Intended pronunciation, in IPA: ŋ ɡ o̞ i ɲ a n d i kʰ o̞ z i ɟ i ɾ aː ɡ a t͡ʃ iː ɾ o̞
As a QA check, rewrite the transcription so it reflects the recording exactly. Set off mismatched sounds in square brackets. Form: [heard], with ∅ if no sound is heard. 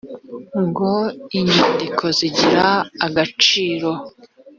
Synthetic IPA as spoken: ŋ ɡ o̞ i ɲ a n d i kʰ o̞ z i ɟ i ɾ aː ɡ a t͡ʃ iː ɾ o̞

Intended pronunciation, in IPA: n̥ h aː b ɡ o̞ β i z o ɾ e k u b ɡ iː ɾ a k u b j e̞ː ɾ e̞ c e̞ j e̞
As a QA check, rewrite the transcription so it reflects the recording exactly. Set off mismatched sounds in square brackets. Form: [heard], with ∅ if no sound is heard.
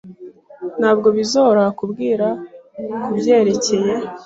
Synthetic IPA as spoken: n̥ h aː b ɡ o̞ β i z o ɾ [a] k u b ɡ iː ɾ a k u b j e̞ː ɾ e̞ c e̞ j e̞

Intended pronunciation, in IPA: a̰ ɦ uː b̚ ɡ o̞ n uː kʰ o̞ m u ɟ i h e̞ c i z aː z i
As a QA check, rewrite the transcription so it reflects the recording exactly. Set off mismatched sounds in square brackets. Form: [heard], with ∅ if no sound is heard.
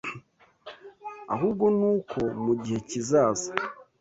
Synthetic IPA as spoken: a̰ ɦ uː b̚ ɡ o̞ n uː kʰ o̞ m u ɟ i h e̞ c i z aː z [a]

